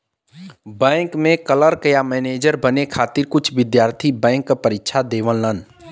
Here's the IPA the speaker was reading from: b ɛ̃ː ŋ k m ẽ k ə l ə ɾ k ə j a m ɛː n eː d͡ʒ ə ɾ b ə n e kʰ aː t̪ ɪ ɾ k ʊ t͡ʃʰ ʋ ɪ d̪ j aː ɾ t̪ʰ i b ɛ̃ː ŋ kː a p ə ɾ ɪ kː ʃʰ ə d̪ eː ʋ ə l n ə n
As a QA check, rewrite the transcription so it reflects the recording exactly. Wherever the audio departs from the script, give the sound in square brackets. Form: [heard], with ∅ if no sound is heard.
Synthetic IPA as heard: b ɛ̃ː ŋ k m ẽ k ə l ə ɾ k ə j a m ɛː n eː d͡ʒ ə ɾ b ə n e kʰ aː t̪ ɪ ɾ k ʊ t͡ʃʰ ʋ ɪ d̪ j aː ɾ t̪ʰ i b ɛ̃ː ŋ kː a p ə ɾ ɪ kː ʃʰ [a] d̪ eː ʋ ə l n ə n